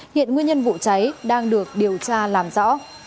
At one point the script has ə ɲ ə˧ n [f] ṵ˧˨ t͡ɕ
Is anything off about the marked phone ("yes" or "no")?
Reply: yes